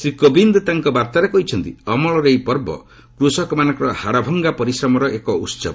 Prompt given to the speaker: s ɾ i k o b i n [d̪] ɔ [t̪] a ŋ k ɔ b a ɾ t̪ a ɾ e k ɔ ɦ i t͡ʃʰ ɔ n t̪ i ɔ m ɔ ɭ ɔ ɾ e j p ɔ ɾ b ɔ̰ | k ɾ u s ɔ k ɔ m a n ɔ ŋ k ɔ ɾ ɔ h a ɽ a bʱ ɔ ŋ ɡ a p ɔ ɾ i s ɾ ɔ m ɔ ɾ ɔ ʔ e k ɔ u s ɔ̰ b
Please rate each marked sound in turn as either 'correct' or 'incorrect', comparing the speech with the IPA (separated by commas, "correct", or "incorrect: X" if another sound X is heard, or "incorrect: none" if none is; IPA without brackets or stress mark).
correct, correct